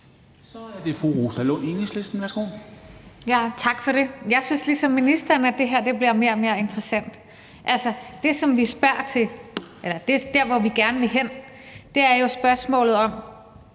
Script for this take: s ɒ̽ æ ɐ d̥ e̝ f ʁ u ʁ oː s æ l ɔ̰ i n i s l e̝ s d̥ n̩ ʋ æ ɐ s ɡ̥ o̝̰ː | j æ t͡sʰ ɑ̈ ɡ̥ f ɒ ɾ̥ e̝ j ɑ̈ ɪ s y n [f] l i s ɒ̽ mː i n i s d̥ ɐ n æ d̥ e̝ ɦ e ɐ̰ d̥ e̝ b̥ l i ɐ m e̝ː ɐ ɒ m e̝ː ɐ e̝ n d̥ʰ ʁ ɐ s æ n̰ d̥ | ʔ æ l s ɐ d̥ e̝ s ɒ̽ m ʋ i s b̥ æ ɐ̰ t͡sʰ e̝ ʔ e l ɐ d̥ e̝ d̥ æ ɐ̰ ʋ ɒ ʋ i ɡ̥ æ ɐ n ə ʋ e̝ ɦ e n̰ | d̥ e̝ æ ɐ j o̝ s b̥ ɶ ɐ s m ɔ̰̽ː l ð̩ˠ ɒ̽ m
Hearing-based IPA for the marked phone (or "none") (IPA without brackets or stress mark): s